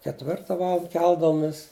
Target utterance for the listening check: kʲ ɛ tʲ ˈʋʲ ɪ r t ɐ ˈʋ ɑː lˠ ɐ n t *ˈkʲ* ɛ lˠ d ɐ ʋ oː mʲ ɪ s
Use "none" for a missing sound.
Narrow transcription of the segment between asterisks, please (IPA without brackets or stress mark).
kʲ